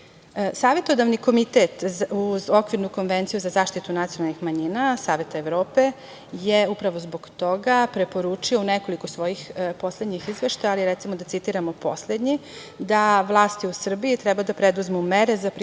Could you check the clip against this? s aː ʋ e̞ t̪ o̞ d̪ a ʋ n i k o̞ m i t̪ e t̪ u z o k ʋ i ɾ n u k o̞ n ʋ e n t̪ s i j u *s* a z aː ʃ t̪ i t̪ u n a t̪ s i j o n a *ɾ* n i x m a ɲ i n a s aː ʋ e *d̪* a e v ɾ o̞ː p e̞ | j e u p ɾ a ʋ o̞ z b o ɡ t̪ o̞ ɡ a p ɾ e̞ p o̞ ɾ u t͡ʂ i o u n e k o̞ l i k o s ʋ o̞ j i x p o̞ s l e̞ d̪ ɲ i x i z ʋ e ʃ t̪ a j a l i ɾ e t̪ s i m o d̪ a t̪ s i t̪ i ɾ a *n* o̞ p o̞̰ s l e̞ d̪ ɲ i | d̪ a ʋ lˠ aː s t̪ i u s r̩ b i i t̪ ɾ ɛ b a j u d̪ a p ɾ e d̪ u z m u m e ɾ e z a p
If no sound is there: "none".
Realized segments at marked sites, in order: z, l, t̪, m

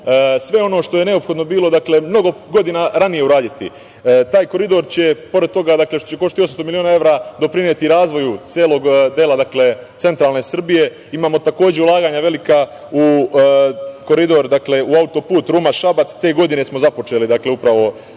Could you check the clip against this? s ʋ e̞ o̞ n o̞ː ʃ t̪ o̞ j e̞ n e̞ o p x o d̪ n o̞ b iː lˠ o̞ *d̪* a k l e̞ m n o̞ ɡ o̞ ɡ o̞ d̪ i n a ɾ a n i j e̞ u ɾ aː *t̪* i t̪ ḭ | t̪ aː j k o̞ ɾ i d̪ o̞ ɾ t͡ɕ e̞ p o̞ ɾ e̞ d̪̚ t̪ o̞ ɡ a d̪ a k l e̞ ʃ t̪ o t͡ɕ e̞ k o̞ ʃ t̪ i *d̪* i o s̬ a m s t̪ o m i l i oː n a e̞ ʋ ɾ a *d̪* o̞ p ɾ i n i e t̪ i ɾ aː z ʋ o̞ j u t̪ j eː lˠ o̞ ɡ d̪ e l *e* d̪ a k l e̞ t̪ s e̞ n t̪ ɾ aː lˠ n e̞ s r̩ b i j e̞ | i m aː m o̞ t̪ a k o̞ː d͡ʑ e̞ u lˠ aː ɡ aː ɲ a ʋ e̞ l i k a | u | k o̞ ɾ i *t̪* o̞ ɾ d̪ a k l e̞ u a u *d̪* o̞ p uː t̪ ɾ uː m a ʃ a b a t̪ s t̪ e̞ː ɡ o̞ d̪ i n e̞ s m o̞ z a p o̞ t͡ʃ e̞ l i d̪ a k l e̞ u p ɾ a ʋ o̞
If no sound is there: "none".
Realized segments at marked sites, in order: d̪, d̪, t̪, d̪, a, d̪, t̪

